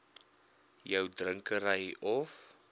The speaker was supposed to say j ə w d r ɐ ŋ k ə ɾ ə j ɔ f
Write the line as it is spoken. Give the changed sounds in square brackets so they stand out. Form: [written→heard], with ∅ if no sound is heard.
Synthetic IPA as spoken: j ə w d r [ɐ→ə] ŋ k ə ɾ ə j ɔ f